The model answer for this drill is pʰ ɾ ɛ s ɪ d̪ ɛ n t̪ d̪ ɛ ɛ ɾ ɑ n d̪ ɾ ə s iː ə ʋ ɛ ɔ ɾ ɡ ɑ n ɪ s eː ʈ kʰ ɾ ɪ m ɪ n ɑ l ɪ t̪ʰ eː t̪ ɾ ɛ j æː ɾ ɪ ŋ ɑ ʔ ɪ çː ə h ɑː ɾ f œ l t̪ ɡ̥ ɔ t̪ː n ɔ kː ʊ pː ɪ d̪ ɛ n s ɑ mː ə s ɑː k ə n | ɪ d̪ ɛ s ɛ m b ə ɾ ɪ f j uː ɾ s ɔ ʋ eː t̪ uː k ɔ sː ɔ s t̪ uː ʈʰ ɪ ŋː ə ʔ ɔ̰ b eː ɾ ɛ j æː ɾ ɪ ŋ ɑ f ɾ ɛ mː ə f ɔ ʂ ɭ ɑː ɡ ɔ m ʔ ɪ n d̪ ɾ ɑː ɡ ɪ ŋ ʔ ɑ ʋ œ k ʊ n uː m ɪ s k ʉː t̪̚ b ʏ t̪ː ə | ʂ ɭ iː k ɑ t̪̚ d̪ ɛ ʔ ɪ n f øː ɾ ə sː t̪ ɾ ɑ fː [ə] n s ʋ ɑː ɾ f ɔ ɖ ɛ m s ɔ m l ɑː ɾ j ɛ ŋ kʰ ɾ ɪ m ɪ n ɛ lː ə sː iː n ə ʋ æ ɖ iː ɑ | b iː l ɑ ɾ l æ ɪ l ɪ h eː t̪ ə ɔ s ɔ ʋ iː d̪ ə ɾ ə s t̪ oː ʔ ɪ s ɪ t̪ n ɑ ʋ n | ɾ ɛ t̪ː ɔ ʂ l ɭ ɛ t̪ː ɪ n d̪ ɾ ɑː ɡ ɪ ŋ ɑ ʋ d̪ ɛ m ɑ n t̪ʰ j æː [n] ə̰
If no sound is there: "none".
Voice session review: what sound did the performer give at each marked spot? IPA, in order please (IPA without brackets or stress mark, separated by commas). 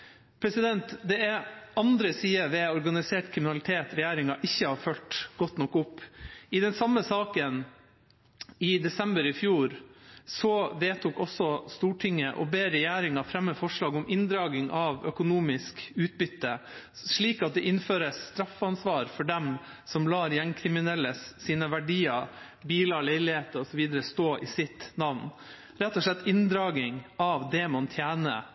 ɑ, n